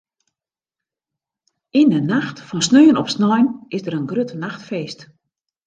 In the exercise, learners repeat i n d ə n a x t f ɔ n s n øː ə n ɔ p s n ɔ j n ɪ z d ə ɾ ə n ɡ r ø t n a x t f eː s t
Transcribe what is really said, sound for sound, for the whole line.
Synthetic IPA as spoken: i n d ə n a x t f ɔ n s n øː ə n ɔ p s n ɔ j n ɪ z d ə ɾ ə n ɡ r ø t n a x t f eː s t